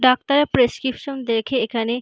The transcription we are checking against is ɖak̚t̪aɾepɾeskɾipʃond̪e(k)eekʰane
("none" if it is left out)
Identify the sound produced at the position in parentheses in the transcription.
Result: kʰ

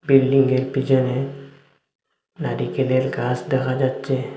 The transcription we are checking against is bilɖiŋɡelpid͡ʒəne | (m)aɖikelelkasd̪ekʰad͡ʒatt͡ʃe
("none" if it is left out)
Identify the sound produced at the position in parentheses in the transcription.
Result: n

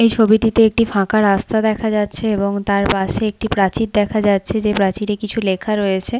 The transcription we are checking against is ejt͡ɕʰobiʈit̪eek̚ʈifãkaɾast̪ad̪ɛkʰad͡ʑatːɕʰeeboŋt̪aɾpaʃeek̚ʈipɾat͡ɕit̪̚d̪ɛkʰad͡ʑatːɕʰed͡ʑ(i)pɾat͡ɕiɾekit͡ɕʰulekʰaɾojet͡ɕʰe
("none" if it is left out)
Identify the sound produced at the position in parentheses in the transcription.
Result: e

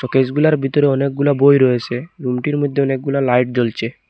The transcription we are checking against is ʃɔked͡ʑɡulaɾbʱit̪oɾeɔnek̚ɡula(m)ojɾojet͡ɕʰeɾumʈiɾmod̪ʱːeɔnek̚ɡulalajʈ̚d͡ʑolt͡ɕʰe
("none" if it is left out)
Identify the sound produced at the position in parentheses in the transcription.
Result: b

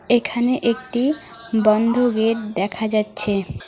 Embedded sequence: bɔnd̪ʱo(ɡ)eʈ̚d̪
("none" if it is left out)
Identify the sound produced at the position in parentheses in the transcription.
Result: ɡ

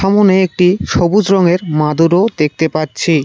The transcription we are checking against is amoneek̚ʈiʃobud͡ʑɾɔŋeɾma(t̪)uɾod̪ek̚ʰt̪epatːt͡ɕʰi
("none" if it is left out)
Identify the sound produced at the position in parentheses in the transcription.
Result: d̪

